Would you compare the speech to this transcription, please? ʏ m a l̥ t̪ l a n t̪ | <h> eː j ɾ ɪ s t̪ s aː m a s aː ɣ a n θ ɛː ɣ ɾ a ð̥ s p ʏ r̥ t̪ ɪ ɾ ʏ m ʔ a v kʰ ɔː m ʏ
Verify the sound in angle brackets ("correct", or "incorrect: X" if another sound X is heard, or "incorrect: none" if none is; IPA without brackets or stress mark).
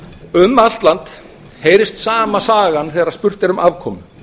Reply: correct